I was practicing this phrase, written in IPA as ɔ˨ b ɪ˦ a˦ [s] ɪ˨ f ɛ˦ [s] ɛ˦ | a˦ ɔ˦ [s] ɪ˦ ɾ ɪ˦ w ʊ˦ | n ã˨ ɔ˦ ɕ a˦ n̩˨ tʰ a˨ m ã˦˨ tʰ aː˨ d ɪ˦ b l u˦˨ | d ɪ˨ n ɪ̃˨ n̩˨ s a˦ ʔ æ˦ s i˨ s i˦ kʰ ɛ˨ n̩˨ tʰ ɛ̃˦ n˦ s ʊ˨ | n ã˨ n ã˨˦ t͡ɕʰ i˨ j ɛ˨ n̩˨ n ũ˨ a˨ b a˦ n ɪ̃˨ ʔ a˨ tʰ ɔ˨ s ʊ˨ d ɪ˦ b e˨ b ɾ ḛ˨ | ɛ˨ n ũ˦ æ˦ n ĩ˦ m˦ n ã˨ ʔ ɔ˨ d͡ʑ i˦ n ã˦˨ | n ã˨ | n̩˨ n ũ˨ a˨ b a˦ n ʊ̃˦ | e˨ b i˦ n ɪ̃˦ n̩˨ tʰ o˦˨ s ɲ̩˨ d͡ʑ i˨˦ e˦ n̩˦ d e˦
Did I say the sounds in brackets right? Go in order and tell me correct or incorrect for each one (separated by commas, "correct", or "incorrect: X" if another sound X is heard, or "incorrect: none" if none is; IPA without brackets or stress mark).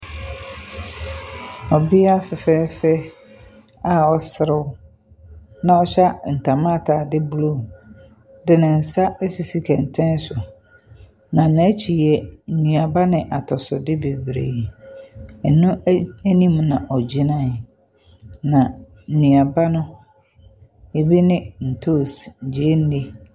incorrect: f, incorrect: f, correct